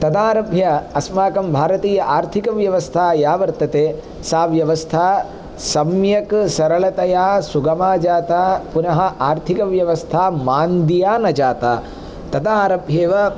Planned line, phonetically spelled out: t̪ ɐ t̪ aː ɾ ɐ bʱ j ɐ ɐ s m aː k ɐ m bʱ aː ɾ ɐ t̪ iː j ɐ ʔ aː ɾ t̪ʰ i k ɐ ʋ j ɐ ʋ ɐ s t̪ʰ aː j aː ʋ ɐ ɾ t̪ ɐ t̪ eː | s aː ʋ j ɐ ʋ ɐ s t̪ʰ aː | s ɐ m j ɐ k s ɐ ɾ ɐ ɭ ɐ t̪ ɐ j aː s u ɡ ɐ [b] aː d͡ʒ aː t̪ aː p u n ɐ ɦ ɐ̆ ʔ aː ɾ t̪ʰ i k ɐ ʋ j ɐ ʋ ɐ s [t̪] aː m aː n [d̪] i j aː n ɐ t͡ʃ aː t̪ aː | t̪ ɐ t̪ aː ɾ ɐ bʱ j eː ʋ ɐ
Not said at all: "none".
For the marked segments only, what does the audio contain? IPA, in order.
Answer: m, t̪ʰ, d̪

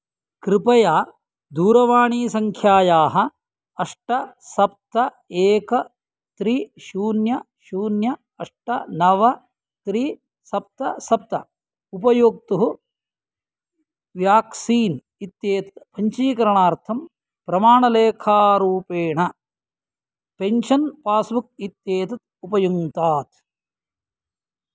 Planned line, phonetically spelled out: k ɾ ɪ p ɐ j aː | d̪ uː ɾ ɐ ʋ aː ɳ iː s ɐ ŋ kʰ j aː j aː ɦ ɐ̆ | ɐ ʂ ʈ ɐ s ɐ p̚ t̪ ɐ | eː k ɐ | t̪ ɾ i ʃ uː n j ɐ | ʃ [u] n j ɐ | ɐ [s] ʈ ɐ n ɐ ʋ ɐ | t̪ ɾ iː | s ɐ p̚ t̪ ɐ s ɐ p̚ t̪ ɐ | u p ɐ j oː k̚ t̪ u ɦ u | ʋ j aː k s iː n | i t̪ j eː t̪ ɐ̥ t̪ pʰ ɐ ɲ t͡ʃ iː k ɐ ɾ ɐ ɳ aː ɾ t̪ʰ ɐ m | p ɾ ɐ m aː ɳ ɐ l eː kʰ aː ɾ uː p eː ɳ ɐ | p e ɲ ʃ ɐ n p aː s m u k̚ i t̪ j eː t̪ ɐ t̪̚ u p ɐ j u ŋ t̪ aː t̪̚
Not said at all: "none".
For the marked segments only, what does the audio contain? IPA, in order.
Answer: uː, ʂ

